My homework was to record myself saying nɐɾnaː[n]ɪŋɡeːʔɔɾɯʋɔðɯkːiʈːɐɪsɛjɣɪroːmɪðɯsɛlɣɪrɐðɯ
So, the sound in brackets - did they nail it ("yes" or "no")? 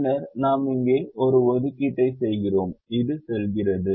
no